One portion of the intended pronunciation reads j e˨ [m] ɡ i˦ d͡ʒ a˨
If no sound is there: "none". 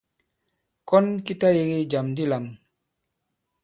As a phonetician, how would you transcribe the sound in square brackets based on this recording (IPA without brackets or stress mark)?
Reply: none